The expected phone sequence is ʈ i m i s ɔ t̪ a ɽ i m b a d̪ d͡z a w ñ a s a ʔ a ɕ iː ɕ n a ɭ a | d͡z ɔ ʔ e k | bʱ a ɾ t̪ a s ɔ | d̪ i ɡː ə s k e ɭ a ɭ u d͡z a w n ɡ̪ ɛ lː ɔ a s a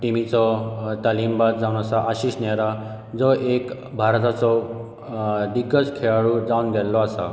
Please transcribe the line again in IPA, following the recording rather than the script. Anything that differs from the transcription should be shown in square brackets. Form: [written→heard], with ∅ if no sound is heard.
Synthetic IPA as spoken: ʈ i m i [s→t͡s] ɔ t̪ a [ɽ→l] i m b a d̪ d͡z a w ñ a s a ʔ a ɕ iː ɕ n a [ɭ→ɾ] a | d͡z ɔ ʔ e k | bʱ a ɾ t̪ a [s→t͡s] ɔ | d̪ i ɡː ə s [k→kʰ] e ɭ a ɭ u d͡z a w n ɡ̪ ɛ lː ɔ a s a